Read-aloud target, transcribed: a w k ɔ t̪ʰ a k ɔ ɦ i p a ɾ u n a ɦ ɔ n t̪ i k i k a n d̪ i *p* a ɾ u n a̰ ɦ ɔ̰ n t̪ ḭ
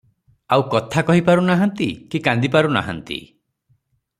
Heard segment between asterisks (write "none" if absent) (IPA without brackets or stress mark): p